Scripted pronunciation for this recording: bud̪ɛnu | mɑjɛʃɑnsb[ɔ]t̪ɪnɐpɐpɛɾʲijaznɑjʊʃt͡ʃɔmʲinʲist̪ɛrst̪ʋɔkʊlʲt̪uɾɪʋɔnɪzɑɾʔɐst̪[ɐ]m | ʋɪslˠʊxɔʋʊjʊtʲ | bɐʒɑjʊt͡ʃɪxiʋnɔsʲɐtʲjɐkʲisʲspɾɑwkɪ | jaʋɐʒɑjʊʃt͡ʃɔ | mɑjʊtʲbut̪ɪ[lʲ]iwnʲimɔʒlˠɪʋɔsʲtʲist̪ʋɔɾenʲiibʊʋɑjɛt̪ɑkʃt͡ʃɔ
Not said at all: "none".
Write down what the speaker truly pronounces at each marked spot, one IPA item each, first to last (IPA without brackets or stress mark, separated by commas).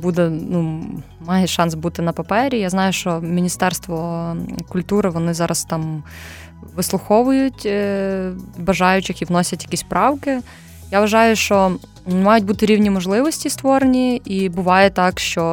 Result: u, ɑ, ɾʲ